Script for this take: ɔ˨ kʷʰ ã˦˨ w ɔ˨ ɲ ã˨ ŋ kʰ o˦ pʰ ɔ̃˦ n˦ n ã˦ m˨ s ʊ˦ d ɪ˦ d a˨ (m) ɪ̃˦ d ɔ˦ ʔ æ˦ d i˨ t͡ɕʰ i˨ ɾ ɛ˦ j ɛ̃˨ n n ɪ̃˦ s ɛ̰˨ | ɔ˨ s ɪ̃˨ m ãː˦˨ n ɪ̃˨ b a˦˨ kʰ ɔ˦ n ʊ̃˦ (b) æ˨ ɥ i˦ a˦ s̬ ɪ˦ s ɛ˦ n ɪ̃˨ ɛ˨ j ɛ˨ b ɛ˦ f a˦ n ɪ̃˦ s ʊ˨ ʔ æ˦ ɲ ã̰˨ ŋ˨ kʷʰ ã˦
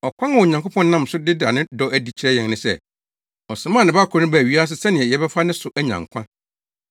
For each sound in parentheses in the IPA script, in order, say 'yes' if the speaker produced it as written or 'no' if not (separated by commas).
no, yes